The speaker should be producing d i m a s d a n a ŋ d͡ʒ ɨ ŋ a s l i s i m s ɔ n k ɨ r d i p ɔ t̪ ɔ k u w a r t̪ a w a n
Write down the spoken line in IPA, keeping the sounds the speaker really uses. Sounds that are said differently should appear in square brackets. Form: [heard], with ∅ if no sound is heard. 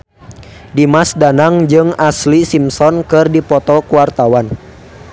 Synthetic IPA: d i m a s d a n a ŋ d͡ʒ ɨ ŋ a s l i s i m s ɔ n k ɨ r d i p ɔ t̪ ɔ k u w a r t̪ a w a n